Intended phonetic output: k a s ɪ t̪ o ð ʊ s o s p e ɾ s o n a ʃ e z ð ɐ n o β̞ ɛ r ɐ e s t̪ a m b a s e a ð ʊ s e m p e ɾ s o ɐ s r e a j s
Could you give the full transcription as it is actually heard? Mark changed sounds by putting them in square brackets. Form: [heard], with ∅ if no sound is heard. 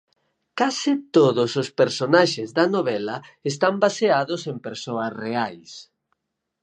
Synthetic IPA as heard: k a s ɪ t̪ o ð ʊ s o s p e ɾ s o n a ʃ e z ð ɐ n o β̞ ɛ [l] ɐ e s t̪ a m b a s e a ð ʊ s e m p e ɾ s o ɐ s r e a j s